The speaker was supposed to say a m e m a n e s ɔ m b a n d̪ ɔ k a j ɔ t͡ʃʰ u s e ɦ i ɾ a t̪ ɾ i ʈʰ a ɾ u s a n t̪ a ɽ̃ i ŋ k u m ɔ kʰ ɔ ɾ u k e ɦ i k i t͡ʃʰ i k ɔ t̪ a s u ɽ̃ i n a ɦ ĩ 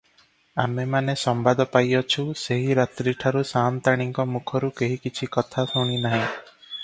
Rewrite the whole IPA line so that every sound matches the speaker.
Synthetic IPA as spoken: a m e m a n e s ɔ m b a d̪ ɔ p a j ɔ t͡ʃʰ u s e ɦ i ɾ a t̪ ɾ i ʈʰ a ɾ u s a n t̪ a ɽ̃ i ŋ k ɔ m u kʰ ɔ ɾ u k e ɦ i k i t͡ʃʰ i k ɔ t̪ʰ a s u ɽ̃ i n a ɦ ĩ